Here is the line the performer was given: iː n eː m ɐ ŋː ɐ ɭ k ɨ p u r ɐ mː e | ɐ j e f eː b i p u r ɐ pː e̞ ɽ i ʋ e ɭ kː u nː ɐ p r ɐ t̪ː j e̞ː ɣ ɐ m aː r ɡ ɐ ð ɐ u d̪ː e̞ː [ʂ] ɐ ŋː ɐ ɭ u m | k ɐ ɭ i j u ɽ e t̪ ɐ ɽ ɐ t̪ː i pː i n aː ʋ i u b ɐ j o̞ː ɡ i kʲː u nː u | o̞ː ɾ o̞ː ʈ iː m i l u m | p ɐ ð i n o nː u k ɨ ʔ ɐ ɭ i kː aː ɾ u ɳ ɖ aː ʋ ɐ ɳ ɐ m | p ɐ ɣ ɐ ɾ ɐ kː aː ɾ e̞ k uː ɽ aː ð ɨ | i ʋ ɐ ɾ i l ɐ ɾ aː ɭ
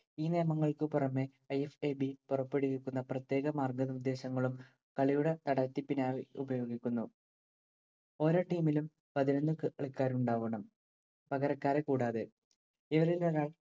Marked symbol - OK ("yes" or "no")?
no